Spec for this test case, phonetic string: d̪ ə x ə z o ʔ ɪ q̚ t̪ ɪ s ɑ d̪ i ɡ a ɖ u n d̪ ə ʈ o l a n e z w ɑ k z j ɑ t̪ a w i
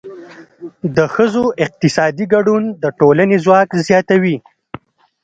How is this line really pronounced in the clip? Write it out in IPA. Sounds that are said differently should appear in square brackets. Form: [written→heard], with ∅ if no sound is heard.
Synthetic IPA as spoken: d̪ ə x ə z o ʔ ɪ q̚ t̪ ɪ s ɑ d̪ i ɡ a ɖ u n d̪ ə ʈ o l a n e z w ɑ k z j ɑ t̪ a w i